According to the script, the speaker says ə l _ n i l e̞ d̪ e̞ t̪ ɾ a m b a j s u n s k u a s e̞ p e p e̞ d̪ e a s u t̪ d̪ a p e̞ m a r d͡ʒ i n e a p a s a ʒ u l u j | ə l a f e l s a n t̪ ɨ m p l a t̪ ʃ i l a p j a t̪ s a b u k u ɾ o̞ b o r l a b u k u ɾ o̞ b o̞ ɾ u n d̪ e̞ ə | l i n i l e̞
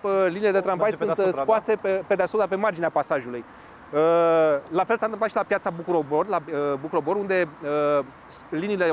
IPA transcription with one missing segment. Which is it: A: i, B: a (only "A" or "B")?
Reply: A